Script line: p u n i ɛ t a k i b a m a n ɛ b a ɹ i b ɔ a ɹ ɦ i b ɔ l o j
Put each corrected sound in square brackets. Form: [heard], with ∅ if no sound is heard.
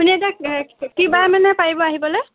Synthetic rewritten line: p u n i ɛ t a k i b a m a n ɛ [p] a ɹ i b ɔ a [∅] ɦ i b ɔ l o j

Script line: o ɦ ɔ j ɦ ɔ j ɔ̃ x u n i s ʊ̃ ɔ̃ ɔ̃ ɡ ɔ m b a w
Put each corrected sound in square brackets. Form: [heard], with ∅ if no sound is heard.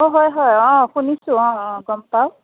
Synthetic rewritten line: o ɦ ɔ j ɦ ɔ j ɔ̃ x u n i s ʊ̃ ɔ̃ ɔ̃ ɡ ɔ m [p] a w

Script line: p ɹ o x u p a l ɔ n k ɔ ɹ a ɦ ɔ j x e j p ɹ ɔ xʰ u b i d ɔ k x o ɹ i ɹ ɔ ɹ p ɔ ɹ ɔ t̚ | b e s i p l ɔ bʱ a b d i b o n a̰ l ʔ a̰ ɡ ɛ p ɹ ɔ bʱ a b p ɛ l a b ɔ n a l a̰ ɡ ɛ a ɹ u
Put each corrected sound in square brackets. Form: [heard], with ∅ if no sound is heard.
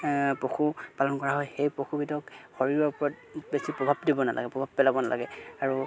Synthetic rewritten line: p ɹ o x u p a l ɔ n k ɔ ɹ a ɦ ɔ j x e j p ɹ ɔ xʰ u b i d ɔ k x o ɹ i ɹ ɔ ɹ p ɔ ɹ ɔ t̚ | b e s i p [ɹ] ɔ bʱ a b d i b [ɔ] n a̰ l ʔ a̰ ɡ ɛ p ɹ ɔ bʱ a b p ɛ l a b ɔ n a l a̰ ɡ ɛ a ɹ u

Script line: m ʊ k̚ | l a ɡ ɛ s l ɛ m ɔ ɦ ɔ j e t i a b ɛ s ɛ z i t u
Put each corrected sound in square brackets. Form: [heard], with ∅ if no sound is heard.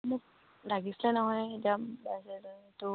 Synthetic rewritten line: m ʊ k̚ | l a ɡ [i] s l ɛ [n] ɔ ɦ ɔ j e t i a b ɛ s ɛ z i t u

